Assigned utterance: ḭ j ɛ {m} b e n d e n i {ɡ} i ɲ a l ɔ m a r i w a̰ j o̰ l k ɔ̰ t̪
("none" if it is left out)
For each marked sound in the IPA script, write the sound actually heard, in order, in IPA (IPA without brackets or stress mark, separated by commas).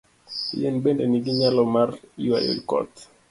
n, ɡ